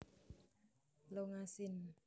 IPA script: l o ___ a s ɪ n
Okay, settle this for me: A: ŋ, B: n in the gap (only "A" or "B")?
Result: A